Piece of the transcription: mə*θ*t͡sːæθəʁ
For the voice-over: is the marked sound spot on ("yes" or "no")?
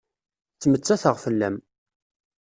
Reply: no